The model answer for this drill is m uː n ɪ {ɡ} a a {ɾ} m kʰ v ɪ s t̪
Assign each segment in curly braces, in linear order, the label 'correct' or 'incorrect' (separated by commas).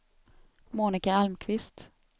incorrect, incorrect